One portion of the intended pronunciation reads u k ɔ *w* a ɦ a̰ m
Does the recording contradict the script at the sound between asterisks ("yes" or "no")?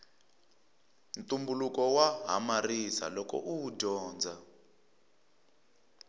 no